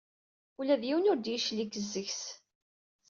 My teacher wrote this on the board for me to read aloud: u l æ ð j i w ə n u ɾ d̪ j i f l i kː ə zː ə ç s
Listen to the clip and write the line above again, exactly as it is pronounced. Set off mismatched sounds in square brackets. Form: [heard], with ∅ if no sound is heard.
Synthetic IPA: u l æ ð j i w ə n [ʊ] ɾ d̪ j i [ʃ] l i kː ə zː ə ç s